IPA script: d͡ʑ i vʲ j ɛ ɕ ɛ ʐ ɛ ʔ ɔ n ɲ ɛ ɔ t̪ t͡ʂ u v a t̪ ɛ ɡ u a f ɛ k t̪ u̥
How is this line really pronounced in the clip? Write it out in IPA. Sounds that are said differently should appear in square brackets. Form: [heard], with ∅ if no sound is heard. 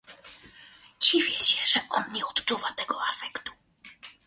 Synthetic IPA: d͡ʑ i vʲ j ɛ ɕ ɛ ʐ ɛ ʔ ɔ n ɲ ɛ ɔ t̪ t͡ʂ u v a t̪ ɛ ɡ [ɔ] a f ɛ k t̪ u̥

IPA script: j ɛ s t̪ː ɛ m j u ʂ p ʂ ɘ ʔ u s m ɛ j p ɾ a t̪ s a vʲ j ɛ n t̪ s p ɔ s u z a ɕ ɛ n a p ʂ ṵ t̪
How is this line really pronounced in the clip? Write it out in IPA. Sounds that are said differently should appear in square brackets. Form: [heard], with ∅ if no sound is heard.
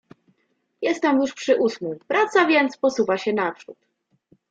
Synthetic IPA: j ɛ s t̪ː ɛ m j u ʂ p ʂ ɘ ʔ u s m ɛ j p ɾ a t̪ s a vʲ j ɛ n t̪ s p ɔ s u [v] a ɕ ɛ n a p ʂ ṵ t̪

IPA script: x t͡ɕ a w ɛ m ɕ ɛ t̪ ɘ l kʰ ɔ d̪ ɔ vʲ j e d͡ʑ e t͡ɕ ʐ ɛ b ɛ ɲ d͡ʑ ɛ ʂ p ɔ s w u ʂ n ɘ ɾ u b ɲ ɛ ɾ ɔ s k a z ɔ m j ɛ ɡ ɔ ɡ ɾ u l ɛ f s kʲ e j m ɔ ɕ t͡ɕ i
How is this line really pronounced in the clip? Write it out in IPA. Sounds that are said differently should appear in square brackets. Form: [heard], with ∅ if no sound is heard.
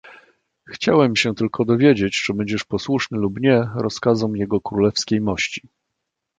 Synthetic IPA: x t͡ɕ a w ɛ m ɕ ɛ t̪ ɘ l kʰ ɔ d̪ ɔ vʲ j e d͡ʑ e t͡ɕ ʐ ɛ b ɛ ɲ d͡ʑ ɛ ʂ p ɔ s w u ʂ n ɘ [l] u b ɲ ɛ ɾ ɔ s k a z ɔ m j ɛ ɡ ɔ [k] ɾ u l ɛ f s kʲ e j m ɔ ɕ t͡ɕ i

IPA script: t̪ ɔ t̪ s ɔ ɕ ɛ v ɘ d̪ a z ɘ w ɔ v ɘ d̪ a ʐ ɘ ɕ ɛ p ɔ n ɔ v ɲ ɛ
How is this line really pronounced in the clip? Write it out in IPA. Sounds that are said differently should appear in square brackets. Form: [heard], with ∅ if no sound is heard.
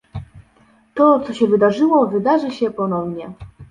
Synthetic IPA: t̪ ɔ t̪ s ɔ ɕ ɛ v ɘ d̪ a [ʐ] ɘ w ɔ v ɘ d̪ a ʐ ɘ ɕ ɛ p ɔ n ɔ v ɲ ɛ

